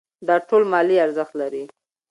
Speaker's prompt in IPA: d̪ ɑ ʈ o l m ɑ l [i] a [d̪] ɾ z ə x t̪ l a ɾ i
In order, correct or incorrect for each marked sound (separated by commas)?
correct, incorrect